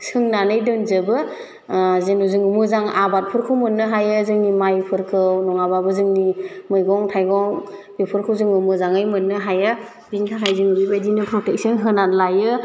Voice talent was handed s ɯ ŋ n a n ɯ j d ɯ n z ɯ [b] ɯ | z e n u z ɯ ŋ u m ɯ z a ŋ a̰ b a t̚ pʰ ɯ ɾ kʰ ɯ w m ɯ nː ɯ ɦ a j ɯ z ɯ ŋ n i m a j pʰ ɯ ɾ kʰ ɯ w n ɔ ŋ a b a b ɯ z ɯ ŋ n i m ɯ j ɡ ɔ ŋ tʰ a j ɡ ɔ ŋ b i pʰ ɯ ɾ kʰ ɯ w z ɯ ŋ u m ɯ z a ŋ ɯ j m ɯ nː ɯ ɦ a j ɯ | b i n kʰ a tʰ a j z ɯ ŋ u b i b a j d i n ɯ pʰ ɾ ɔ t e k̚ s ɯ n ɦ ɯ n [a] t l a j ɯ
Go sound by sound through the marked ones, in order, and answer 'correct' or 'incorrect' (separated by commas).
correct, correct